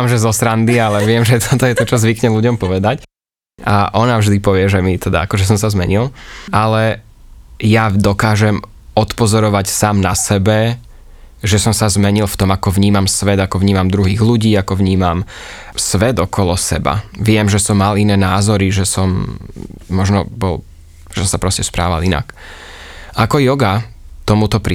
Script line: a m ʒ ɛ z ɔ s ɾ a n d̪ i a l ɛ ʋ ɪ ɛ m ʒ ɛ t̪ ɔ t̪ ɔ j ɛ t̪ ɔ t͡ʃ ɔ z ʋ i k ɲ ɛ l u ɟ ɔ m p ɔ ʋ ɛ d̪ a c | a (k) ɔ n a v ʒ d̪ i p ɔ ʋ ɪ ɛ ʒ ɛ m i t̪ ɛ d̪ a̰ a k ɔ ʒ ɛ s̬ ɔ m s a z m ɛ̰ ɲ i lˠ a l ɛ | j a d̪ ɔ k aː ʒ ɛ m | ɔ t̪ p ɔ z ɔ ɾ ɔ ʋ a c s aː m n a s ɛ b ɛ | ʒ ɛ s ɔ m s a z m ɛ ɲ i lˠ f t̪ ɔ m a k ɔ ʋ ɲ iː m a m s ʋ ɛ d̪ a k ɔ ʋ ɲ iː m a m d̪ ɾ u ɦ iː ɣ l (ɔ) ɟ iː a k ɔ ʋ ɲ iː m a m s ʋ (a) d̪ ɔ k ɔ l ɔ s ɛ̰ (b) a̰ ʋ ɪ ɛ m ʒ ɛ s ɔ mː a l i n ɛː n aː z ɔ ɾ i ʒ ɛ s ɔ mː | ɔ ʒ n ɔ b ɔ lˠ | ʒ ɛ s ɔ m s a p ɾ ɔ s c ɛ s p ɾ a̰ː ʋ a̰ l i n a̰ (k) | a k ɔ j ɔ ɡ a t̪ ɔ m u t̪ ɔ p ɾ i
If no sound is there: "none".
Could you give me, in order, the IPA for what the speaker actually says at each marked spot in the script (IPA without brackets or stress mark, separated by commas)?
ʔ, u, ɛ, b, k